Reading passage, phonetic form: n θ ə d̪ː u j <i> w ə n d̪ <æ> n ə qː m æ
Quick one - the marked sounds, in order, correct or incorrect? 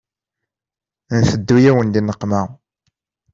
incorrect: æ, incorrect: i

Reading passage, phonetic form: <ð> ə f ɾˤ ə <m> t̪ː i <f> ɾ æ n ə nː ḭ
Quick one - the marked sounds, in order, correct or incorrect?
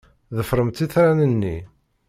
correct, correct, incorrect: θ

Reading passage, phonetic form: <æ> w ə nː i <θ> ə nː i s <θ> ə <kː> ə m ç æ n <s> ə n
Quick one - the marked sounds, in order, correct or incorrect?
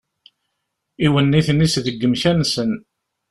incorrect: i, correct, incorrect: ð, incorrect: ɡː, correct

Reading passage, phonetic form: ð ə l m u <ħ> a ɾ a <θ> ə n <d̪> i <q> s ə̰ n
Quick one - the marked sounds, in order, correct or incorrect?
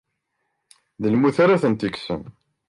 incorrect: θ, correct, incorrect: t̪, incorrect: k

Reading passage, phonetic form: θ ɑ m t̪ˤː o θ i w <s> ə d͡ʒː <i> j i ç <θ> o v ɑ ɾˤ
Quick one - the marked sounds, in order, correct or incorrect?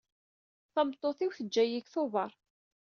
incorrect: θ, incorrect: æ, correct

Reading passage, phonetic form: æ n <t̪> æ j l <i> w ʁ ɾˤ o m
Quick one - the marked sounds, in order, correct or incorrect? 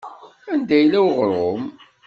incorrect: d̪, incorrect: æ

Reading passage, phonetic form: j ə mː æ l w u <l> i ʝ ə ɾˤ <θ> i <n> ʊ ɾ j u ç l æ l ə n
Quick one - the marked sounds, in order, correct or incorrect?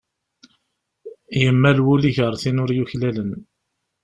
correct, correct, correct

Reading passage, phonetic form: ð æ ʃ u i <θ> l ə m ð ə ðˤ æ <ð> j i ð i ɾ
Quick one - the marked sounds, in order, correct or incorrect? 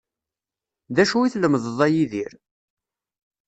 correct, incorrect: none

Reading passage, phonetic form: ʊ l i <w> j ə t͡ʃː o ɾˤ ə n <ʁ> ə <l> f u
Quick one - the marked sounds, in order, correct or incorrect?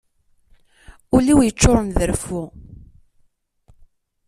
correct, incorrect: ð, incorrect: ɾ

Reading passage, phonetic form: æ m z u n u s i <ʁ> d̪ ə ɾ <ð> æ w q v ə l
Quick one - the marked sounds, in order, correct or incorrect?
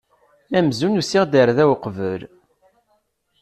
correct, correct

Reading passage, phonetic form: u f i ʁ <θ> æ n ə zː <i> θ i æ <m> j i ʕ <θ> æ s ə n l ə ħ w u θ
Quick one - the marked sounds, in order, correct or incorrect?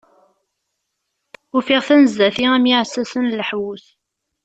correct, incorrect: æ, correct, incorrect: s

